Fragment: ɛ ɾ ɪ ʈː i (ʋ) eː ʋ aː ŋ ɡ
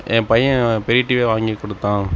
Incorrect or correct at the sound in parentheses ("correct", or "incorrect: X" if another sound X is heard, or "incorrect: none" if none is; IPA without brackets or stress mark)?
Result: correct